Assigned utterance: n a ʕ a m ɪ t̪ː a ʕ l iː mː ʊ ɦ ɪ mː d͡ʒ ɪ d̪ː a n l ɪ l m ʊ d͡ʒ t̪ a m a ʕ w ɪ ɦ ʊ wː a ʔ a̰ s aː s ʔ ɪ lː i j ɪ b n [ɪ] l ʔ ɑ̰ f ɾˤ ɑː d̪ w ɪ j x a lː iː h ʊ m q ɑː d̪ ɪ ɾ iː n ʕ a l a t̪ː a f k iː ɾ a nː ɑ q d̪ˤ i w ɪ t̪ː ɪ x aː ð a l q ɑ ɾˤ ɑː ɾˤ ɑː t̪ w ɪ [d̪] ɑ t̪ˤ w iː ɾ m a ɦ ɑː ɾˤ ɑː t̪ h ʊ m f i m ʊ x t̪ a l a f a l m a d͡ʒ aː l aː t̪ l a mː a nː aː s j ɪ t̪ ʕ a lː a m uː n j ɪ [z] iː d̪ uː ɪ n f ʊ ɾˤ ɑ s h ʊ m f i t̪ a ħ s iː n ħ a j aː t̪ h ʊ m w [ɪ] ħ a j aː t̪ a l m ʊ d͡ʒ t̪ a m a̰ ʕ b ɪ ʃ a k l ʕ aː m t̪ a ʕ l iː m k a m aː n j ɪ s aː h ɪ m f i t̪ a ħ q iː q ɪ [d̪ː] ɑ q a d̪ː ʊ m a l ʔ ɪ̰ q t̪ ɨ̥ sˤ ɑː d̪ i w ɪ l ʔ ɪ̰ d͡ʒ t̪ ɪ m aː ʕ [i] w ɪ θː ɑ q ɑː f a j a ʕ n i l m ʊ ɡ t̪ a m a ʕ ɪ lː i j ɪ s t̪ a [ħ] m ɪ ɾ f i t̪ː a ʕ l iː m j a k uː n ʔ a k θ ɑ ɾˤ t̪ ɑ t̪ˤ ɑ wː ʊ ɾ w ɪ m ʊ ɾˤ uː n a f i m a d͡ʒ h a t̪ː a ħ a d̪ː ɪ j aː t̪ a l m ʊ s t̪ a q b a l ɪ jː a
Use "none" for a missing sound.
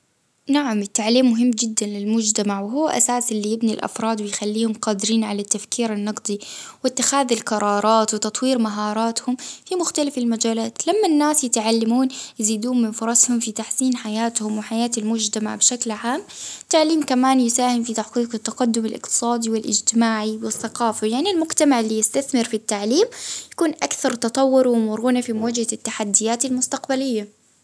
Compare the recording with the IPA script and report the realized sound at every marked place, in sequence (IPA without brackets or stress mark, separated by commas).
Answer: i, t̪, z, ɪ, t̪ː, i, θ